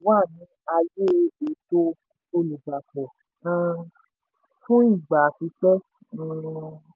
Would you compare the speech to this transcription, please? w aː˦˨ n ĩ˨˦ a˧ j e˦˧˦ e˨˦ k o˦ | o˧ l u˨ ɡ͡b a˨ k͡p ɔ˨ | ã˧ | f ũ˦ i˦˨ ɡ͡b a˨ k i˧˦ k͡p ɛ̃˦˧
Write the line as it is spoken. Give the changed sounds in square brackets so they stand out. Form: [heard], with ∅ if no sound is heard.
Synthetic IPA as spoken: w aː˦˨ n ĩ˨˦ a˧ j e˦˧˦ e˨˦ [t] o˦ | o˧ l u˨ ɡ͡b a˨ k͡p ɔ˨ | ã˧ | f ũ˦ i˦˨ ɡ͡b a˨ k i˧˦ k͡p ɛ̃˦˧